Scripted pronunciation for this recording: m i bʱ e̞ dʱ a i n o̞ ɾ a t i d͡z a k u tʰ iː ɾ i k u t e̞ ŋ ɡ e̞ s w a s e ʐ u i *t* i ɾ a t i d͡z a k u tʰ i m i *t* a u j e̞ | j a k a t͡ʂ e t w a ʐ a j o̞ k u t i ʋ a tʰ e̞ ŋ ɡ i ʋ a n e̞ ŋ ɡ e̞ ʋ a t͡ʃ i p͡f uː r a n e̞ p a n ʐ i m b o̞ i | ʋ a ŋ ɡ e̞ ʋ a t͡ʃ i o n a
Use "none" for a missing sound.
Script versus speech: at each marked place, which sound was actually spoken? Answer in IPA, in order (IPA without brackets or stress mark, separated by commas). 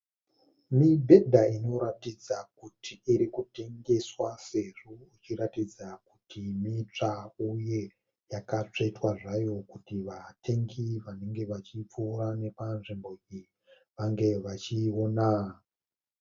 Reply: t͡ʃ, t͡ʂ